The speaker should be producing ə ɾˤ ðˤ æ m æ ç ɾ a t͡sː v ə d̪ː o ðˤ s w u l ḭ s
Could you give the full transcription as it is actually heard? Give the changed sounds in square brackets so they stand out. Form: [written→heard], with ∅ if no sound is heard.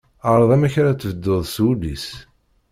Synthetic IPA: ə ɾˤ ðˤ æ m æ ç ɾ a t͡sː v ə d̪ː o ðˤ s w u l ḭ s